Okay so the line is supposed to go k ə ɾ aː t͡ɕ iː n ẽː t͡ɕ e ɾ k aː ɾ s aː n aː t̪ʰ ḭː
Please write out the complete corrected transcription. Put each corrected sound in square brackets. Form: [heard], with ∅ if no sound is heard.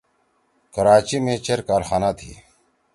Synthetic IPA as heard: k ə ɾ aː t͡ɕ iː [m] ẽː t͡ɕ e ɾ k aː ɾ [x] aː n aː t̪ʰ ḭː